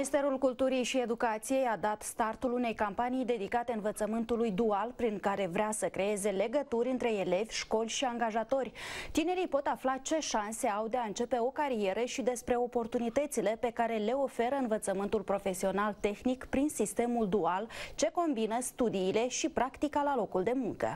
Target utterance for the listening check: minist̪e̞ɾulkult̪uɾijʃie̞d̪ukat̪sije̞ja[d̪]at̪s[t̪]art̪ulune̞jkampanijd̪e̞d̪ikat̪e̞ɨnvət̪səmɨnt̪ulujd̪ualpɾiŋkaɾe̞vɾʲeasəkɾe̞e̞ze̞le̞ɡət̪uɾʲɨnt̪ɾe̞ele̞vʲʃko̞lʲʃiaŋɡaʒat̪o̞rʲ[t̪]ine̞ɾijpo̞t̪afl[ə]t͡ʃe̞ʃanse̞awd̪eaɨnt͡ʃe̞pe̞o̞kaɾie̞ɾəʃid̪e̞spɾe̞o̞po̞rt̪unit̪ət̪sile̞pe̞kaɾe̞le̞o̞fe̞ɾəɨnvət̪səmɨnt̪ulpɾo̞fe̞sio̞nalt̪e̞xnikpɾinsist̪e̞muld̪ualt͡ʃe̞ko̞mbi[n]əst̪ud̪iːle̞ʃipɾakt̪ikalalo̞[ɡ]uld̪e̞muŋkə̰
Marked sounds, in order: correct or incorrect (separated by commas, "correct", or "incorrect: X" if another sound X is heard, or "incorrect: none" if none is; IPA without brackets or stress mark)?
correct, correct, correct, incorrect: a, correct, incorrect: k